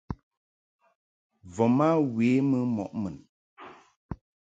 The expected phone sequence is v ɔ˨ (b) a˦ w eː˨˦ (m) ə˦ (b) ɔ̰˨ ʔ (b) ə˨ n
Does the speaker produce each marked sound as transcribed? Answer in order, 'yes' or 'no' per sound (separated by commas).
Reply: no, yes, no, no